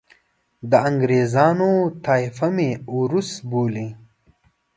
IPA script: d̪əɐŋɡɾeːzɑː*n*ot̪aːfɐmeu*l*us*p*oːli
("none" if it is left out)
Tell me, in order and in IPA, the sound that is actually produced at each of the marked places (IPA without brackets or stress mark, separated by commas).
n, ɾ, b